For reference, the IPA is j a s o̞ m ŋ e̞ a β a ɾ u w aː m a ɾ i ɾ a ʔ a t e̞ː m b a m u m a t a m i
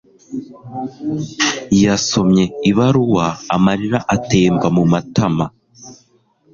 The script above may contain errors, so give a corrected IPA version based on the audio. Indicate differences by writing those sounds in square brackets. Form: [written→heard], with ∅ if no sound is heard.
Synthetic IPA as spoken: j a s o̞ m [ŋ→ɲ] e̞ [a→i] β a ɾ u w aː m a ɾ i ɾ a ʔ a t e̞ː m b a m u m a t a m [i→a]